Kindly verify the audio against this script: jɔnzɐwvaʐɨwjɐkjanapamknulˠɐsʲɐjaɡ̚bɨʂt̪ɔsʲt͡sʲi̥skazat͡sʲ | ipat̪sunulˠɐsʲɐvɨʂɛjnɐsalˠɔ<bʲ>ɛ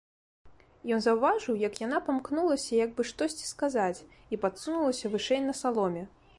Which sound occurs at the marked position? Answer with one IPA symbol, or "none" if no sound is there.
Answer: mʲ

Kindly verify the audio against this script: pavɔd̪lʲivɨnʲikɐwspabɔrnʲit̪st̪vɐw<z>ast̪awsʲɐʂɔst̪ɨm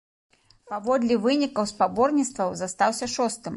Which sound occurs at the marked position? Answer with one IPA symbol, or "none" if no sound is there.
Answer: z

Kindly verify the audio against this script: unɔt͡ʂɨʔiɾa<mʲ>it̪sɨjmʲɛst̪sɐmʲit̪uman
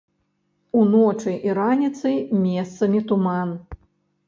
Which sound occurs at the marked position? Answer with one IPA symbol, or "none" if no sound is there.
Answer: nʲ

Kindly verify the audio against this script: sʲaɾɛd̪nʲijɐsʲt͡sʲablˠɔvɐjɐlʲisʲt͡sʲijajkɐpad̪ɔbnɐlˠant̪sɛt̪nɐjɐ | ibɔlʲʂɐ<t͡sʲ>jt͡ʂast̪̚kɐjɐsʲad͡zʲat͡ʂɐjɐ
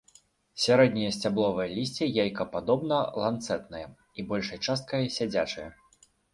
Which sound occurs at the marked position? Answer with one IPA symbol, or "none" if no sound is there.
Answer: none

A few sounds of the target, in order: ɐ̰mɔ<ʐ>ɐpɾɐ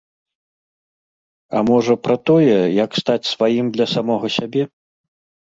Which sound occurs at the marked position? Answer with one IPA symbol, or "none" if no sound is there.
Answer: ʐ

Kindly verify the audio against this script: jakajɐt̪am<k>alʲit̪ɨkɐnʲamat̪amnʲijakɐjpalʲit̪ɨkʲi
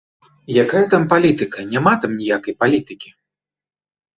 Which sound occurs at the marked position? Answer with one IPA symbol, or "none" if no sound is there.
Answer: p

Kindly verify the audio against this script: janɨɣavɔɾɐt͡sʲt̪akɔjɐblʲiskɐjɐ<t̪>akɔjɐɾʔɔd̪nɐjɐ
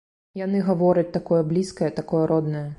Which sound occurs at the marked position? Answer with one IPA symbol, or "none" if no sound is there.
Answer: t̪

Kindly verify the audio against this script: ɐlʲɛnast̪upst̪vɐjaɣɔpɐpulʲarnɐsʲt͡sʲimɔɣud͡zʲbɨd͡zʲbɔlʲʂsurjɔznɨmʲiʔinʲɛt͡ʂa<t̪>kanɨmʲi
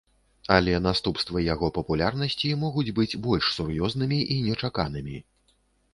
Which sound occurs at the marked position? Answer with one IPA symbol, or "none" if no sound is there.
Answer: none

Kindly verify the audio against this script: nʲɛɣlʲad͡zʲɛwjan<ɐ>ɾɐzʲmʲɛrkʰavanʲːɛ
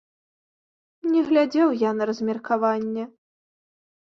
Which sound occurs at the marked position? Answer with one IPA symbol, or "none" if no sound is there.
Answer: ɐ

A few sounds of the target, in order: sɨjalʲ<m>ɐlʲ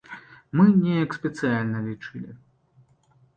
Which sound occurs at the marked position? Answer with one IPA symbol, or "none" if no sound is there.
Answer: n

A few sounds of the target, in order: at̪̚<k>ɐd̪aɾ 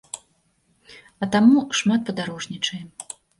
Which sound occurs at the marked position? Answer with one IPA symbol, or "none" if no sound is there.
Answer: p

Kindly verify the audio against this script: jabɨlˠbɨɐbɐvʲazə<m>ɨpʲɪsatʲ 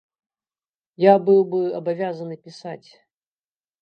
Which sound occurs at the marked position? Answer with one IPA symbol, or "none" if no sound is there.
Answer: n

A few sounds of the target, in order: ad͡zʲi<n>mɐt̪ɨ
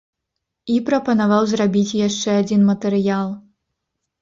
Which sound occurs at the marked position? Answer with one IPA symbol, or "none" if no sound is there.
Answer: n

